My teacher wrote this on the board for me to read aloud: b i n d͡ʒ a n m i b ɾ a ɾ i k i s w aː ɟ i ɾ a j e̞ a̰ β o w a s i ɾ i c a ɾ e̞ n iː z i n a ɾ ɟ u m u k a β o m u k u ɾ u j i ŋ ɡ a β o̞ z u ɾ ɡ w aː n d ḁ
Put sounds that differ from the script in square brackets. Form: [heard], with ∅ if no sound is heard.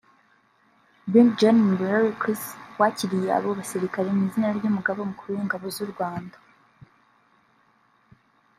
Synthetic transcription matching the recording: b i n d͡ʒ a n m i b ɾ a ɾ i k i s w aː [c] i ɾ [i] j e̞ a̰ β o [β] a s i ɾ i [k] a ɾ e̞ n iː z i n a ɾ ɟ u m u [ɡ] a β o m u k u ɾ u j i ŋ ɡ a β o̞ z u ɾ ɡ w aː n d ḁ

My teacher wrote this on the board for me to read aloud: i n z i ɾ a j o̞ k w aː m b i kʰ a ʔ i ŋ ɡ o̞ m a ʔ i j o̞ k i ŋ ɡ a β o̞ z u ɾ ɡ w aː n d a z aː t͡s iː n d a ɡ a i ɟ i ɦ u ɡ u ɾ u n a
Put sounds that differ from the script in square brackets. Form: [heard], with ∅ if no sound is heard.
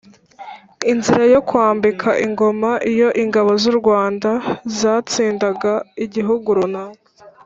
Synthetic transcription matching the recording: i n z i ɾ a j o̞ k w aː m b i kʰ a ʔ i ŋ ɡ o̞ m a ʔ i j o̞ [ʔ] i ŋ ɡ a β o̞ z u ɾ ɡ w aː n d a z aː t͡s iː n d a ɡ a i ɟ i ɦ u ɡ u ɾ u n a

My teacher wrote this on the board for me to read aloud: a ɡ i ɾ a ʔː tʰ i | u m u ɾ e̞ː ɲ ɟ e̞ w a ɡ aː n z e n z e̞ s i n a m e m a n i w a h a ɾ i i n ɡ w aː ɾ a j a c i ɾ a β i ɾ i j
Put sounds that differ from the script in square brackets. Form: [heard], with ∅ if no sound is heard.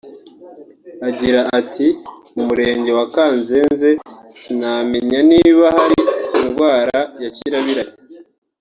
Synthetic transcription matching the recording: a [ɟ] i ɾ a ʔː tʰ i | u m u ɾ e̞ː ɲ ɟ e̞ w a [k] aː n z e n z e̞ s i n a m e [ɲ] a n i [β] a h a ɾ i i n ɡ w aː ɾ a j a c i ɾ a β i ɾ [a] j

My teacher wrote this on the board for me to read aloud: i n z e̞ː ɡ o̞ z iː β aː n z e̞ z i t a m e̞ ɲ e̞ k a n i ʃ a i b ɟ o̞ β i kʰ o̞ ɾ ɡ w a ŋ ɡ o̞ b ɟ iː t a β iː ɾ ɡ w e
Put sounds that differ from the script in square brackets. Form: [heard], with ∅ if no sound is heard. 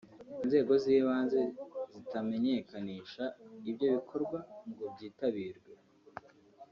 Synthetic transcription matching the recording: i n z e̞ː ɡ o̞ z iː β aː n z e̞ z i t a m e̞ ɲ e̞ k a n i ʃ a i b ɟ o̞ β i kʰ o̞ ɾ ɡ w a ŋ ɡ o̞ b ɟ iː t a β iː ɾ ɡ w e

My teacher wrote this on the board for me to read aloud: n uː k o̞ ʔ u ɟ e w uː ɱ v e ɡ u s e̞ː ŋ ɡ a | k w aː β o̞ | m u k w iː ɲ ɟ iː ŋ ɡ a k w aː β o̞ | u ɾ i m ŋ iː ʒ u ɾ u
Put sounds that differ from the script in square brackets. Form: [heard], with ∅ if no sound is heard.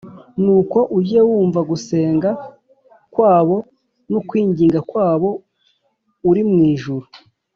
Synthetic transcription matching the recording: n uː k o̞ ʔ u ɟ e w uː ɱ v [a] ɡ u s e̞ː ŋ ɡ a | k w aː β o̞ | [n] u k w iː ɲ ɟ iː ŋ ɡ a k w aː β o̞ | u ɾ i m ŋ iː ʒ u ɾ u

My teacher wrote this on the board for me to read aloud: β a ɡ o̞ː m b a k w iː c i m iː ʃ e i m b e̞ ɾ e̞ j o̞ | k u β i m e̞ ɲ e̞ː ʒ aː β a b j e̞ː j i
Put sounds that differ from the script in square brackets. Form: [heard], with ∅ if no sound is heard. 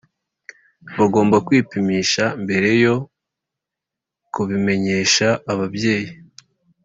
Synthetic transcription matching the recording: β a ɡ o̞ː m b a k w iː [p] i m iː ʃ [a] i m b e̞ ɾ e̞ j o̞ | k u β i m e̞ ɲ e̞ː [ʃ] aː β a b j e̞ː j i

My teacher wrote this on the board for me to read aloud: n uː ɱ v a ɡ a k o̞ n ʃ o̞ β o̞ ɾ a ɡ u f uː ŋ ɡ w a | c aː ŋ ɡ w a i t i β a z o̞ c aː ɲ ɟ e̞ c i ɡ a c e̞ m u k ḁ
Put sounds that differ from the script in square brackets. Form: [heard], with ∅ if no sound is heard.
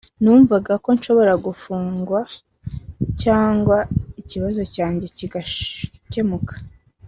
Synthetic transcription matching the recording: n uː ɱ v a ɡ a k o̞ n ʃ o̞ β o̞ ɾ a ɡ u f uː ŋ ɡ w a | c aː ŋ ɡ w a i [c] i β a z o̞ c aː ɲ ɟ e̞ c i ɡ a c e̞ m u k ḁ

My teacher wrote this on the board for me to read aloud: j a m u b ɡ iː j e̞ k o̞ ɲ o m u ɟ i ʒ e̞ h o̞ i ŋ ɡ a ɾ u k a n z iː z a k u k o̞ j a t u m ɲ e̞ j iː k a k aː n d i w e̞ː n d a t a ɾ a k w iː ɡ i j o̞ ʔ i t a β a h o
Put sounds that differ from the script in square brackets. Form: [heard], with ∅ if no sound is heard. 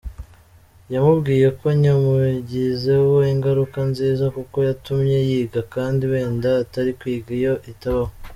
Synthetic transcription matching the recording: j a m u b ɡ iː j e̞ k o̞ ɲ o m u ɟ i [z] e̞ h o̞ i ŋ ɡ a ɾ u k a n z iː z a k u k o̞ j a t u m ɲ e̞ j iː [ɡ] a k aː n d i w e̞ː n d a t a ɾ [i] k w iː ɡ i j o̞ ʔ i t a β a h o

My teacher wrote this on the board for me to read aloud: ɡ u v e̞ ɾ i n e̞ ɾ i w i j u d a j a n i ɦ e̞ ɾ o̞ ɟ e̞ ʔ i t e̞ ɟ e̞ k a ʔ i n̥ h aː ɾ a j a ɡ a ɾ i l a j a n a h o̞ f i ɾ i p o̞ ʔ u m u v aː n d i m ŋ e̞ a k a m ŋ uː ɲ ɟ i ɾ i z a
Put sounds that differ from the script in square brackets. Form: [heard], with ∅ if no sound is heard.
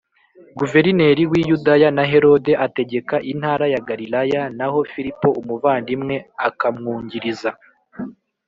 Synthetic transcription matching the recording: ɡ u v e̞ ɾ i n e̞ ɾ i w i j u d a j a n [a] ɦ e̞ ɾ o̞ [d] e̞ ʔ [a] t e̞ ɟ e̞ k a ʔ i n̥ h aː ɾ a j a ɡ a ɾ i l a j a n a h o̞ f i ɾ i p o̞ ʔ u m u v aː n d i m ŋ e̞ a k a m ŋ uː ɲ ɟ i ɾ i z a

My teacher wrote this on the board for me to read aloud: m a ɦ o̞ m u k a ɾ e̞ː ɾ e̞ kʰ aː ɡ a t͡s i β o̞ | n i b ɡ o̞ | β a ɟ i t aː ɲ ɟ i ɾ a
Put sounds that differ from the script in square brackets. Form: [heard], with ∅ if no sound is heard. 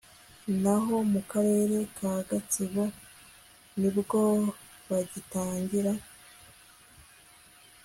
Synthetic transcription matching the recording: [n] a ɦ o̞ m u k a ɾ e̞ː ɾ e̞ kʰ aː ɡ a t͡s i β o̞ | n i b ɡ o̞ | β a ɟ i t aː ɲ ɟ i ɾ a

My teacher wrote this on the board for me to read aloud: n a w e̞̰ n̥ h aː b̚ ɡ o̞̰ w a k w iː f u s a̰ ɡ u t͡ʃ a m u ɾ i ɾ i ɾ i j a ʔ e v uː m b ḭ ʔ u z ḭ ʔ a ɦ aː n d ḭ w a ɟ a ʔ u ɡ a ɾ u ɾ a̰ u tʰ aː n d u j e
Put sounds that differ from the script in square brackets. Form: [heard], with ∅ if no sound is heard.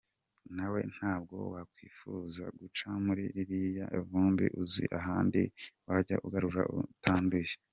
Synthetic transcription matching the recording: n a w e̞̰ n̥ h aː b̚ ɡ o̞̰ w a k w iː f u [z] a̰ ɡ u t͡ʃ a m u ɾ i ɾ i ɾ i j a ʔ e v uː m b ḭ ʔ u z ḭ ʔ a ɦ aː n d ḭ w a ɟ a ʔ u ɡ a ɾ u ɾ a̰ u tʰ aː n d u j e

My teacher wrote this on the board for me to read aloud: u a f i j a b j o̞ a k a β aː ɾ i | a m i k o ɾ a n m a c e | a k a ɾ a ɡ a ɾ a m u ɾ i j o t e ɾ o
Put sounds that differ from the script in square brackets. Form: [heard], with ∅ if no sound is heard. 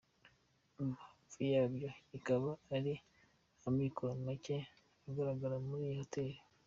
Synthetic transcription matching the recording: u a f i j a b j o̞ [i] k a β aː ɾ i | a m i k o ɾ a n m a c e | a [ɡ] a ɾ a ɡ a ɾ a m u ɾ i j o t e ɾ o

